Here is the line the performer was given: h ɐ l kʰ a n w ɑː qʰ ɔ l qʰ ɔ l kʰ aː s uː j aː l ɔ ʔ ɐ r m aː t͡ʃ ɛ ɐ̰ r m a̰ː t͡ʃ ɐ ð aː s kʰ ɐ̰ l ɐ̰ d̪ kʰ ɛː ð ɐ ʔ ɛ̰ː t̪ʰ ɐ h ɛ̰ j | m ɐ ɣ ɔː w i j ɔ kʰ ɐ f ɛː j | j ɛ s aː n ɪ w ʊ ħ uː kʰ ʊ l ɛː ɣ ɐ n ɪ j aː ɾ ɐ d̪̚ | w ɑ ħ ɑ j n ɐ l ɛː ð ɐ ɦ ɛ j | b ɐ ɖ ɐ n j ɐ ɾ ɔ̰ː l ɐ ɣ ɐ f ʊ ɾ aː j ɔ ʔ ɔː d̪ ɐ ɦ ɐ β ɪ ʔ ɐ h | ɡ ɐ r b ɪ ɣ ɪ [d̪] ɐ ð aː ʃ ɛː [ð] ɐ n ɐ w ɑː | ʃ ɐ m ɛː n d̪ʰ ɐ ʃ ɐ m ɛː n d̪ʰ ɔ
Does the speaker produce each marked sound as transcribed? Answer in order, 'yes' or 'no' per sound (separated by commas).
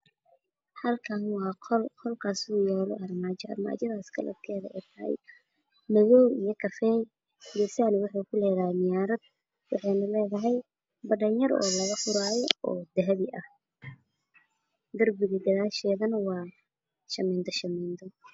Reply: yes, yes